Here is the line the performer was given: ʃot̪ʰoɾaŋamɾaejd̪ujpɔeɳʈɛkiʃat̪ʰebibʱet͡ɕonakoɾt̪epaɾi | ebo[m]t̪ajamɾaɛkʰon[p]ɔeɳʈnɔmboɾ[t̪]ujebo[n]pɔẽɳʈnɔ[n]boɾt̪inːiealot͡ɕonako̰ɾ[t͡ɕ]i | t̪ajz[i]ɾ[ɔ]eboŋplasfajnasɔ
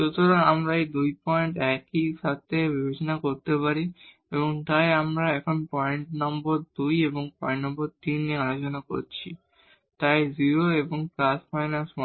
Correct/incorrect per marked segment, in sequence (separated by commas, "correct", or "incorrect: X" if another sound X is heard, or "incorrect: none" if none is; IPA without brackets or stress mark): incorrect: ŋ, correct, incorrect: d̪, incorrect: ŋ, incorrect: m, incorrect: t͡ɕʰ, correct, incorrect: o